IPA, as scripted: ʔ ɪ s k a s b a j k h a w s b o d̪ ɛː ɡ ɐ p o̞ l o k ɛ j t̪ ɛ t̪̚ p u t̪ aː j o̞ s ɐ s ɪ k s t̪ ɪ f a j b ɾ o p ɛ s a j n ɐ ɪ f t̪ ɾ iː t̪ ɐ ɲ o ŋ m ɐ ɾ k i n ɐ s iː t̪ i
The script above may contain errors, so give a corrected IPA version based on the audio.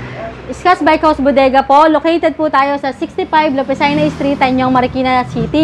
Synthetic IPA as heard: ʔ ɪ s k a s b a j k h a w s b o d̪ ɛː ɡ ɐ p o̞ l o k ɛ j t̪ ɛ d̪̚ p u t̪ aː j o̞ s ɐ s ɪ k s t̪ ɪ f a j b l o p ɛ s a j n ɐ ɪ s t̪ ɾ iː t̪ ɐ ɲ o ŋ m ɐ ɾ k i n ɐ s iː t̪ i

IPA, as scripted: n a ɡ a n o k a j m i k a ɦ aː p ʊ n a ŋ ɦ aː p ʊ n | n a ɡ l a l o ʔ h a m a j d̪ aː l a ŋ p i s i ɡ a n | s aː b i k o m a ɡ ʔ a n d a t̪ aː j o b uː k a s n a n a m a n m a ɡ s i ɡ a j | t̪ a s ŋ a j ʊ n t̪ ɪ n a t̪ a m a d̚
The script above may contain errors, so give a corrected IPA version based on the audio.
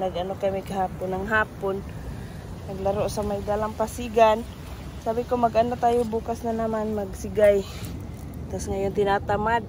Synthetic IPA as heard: n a ɡ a n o k a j m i k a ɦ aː p ʊ n a ŋ ɦ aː p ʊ n | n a ɡ l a ɾ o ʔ s a m a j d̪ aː l a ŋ p a s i ɡ a n | s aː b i k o m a ɡ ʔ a n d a t̪ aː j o b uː k a s n a n a m a n m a ɡ s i ɡ a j | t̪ a s ŋ a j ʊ n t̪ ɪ n a t̪ a m a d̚

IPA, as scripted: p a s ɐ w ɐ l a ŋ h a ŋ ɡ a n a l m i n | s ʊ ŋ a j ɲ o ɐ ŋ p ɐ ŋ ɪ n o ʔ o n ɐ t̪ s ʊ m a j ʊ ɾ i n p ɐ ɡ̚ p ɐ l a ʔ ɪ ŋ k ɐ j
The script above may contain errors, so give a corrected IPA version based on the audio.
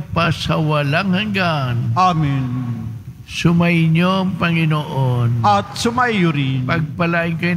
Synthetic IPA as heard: p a s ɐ w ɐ l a ŋ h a ŋ ɡ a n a m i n | s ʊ m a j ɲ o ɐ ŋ p ɐ ŋ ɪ n o ʔ o n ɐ t̪ s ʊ m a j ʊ ɾ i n p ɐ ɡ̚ p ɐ l a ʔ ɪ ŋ k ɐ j

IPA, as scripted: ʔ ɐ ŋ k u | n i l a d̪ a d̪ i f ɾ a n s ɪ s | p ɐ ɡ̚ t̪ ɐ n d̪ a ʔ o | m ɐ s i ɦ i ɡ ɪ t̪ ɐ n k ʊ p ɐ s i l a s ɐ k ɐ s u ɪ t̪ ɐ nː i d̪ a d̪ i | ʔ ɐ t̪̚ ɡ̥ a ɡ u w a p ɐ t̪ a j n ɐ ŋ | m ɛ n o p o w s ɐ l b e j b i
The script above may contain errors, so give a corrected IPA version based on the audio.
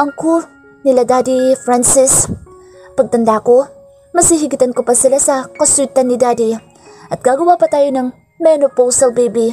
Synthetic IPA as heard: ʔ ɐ ŋ k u | n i l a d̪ a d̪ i f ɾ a n s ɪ s | p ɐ ɡ̚ t̪ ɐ n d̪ a k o | m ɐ s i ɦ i ɡ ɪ t̪ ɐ n k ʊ p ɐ s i l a s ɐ k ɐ s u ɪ t̪ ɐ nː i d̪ a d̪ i | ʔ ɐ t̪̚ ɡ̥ a ɡ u w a p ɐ t̪ a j n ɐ ŋ | m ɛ n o p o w s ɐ l b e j b i

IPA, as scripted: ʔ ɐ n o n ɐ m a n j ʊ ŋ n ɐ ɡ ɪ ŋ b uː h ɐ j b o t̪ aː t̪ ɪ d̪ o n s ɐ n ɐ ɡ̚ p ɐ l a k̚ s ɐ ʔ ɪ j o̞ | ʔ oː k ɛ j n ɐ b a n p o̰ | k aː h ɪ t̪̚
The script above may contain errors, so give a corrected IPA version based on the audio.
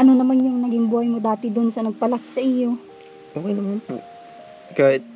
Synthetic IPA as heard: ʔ ɐ n o n ɐ m a n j ʊ ŋ n ɐ ɡ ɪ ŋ b uː h ɐ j m o d̪ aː t̪ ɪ d̪ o n s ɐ n ɐ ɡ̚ p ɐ l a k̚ s ɐ ʔ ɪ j o̞ | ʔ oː k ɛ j n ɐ m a n p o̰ | k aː h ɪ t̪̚

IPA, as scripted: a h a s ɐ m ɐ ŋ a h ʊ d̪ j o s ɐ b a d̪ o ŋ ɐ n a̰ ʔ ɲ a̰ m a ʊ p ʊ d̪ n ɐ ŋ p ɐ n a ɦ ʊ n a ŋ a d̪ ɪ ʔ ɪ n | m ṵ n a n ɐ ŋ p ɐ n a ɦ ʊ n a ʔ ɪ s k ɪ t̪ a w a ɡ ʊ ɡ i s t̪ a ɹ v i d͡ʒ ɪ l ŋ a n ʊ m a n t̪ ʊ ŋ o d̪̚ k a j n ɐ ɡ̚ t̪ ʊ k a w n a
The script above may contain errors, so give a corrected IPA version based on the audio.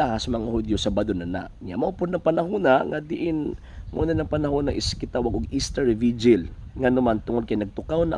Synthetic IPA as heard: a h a s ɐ m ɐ ŋ a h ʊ d̪ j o s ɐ b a d̪ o n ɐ n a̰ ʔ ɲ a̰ m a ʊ p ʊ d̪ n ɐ ŋ p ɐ n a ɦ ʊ n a ŋ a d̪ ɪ ʔ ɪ n | m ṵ n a n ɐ ŋ p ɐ n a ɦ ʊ n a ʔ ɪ s k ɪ t̪ a w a ɡ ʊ ɡ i s t̪ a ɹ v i d͡ʒ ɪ l ŋ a n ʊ m a n t̪ ʊ ŋ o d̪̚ k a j n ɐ ɡ̚ t̪ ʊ k a w n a

